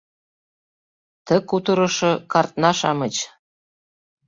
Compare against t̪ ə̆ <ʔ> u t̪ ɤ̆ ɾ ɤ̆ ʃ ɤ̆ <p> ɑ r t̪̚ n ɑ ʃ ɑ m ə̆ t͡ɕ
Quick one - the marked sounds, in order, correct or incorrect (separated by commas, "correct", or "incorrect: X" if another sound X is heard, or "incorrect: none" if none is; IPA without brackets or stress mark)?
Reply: incorrect: k, incorrect: k